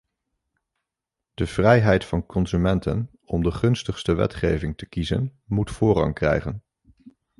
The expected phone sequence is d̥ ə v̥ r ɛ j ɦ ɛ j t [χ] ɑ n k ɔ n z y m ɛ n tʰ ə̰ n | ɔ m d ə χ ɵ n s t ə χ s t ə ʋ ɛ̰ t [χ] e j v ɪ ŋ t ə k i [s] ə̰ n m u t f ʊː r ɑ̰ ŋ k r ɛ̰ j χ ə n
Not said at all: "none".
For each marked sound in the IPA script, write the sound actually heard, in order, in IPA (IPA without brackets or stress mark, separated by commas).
f, χ, z